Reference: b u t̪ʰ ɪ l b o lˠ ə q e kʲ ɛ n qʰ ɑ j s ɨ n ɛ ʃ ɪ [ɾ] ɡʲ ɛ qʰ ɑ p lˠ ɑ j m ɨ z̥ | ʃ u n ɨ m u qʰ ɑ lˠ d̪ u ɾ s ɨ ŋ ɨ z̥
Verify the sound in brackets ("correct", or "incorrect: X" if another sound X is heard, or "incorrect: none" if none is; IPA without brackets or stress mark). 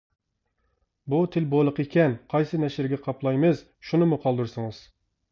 correct